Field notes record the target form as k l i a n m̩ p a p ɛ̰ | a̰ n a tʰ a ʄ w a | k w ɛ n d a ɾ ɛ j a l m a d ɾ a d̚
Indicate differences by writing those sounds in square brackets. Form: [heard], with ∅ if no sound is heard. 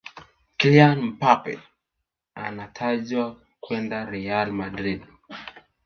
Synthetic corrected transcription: k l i a n m̩ p a p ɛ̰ | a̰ n a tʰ a ʄ w a | k w ɛ n d a ɾ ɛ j a l m a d ɾ [i] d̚

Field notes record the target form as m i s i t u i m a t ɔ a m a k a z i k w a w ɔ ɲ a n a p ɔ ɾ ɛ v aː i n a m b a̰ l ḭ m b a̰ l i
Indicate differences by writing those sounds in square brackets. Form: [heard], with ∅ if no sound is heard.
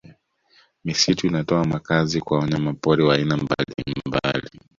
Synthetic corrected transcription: m i s i t u i [n] a t ɔ a m a k a z i k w a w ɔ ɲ a [m] a p ɔ ɾ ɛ [w] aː i n a m b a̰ l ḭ m b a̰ l i

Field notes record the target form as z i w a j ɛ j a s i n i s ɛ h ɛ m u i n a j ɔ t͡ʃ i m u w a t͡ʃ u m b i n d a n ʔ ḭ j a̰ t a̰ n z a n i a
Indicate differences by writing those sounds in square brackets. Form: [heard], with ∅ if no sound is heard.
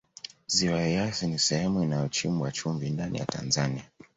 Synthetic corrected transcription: z i w a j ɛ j a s i n i s ɛ h ɛ m u i n a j ɔ t͡ʃ i m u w a t͡ʃ u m [v] i n d a n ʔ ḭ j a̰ t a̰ n z a n i a

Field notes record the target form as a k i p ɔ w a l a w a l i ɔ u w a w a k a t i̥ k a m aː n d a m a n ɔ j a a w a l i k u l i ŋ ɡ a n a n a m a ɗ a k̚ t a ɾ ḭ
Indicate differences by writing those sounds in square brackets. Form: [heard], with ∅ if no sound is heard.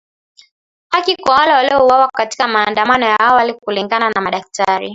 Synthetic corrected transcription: a k i [k] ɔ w a l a w a l i ɔ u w a w a k a t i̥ k a m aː n d a m a n ɔ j a a w a l i k u l i ŋ ɡ a n a n a m a ɗ a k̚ t a ɾ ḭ

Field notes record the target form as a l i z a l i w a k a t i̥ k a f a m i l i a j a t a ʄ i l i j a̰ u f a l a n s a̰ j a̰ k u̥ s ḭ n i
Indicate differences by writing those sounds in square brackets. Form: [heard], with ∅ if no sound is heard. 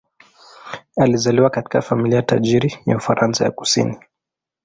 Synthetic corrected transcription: a l i z a l i w a k a t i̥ k a f a m i l i a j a t a ʄ i [ɾ] i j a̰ u f a [ɾ] a n s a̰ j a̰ k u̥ s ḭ n i

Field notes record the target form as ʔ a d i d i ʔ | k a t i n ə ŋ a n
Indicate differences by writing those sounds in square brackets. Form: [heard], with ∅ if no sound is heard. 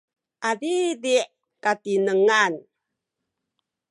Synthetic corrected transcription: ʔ a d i d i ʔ | k a t i n ə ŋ a n

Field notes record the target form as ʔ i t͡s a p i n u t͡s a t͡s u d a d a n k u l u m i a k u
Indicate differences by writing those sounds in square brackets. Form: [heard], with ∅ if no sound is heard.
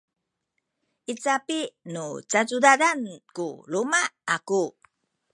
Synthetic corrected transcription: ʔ i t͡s a p i n u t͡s a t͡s u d a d a n k u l u m [a] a k u

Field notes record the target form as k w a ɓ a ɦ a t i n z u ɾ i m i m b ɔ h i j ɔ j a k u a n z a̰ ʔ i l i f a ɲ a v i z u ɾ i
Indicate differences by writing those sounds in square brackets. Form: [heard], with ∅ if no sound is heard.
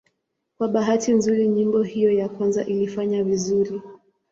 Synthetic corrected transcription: k w a ɓ a ɦ a t i n z u ɾ i [ɲ] i m b ɔ h i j ɔ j a k [w] a n z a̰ ʔ i l i f a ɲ a v i z u ɾ i

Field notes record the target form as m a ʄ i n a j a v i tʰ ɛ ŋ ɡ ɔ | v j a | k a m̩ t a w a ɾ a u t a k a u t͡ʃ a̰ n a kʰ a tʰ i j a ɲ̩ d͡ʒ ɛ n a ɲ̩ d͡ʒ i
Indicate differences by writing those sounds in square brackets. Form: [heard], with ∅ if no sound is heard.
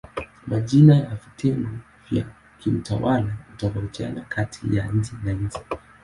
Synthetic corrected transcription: m a ʄ i n a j a v i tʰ ɛ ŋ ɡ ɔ | v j a | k [i] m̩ t a w a [l] a u t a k a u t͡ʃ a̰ n a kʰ a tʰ i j a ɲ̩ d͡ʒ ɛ n a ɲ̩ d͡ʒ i

